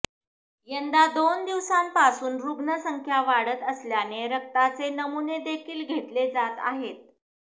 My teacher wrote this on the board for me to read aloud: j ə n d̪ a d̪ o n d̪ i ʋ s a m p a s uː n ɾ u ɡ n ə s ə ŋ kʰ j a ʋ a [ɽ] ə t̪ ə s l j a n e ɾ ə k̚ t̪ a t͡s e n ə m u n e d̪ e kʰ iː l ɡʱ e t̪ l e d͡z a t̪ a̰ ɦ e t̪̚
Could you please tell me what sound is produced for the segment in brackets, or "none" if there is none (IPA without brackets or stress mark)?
ɽ